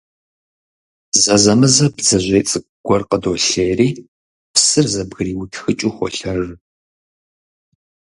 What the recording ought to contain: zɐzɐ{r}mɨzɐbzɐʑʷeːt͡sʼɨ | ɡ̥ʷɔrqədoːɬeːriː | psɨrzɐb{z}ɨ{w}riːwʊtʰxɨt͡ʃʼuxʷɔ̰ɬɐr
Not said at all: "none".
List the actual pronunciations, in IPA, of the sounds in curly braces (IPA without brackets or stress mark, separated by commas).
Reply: none, ɣ, none